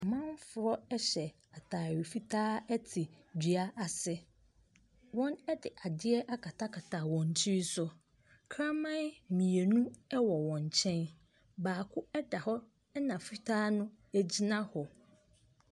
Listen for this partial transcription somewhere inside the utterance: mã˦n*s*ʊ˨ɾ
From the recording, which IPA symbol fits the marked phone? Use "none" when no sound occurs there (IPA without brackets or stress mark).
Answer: f